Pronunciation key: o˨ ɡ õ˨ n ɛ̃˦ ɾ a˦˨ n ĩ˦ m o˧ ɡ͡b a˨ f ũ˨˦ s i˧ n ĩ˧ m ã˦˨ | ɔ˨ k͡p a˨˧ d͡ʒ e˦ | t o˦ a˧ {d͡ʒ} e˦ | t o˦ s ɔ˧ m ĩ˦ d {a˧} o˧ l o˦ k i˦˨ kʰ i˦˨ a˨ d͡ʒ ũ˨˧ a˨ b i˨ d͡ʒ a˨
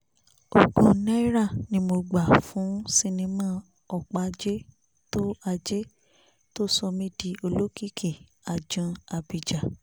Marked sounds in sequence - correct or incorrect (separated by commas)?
correct, incorrect